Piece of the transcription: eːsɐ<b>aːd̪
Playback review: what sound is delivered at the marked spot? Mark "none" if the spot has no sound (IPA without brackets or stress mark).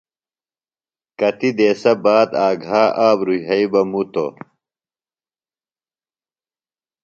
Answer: b